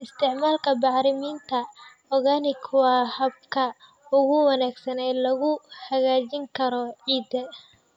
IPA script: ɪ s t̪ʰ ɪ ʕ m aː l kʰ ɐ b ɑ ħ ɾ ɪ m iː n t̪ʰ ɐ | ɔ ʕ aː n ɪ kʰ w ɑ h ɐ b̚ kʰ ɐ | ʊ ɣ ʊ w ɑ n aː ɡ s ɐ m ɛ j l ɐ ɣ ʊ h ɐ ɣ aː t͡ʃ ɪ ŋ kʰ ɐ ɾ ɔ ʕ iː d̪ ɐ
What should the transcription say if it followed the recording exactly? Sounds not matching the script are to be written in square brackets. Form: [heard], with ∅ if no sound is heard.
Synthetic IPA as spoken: ɪ s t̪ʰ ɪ ʕ m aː l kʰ ɐ b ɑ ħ ɾ ɪ m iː n t̪ʰ ɐ | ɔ [ɣ] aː n ɪ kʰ w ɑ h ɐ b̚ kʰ ɐ | ʊ ɣ ʊ w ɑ n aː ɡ s ɐ [n] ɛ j l ɐ ɣ ʊ h ɐ ɣ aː t͡ʃ ɪ ŋ kʰ ɐ ɾ ɔ ʕ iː d̪ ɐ